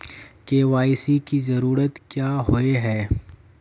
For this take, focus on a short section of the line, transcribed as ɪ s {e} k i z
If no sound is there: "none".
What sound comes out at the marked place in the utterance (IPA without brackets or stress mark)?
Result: i